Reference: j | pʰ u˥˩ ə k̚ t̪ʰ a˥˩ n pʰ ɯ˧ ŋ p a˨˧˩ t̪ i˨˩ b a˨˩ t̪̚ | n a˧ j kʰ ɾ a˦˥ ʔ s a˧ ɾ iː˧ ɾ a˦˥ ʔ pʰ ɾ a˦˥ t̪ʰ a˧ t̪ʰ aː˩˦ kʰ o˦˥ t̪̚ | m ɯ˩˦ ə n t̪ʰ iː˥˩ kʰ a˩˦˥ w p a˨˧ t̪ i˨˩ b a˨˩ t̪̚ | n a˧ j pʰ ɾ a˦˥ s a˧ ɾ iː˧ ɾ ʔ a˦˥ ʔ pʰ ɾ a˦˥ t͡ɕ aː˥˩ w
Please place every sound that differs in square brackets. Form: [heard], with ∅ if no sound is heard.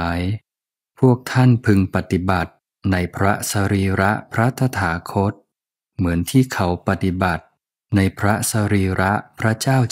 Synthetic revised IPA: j | pʰ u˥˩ ə k̚ t̪ʰ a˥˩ n pʰ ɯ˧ ŋ p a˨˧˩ t̪ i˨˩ b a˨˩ t̪̚ | n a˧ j [pʰ] ɾ a˦˥ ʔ s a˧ ɾ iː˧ ɾ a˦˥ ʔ pʰ ɾ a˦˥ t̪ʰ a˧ t̪ʰ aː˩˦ kʰ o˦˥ t̪̚ | m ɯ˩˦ ə n t̪ʰ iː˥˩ kʰ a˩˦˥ w p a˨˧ t̪ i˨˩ b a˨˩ t̪̚ | n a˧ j pʰ ɾ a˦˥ s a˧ ɾ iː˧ ɾ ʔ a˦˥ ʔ pʰ ɾ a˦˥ t͡ɕ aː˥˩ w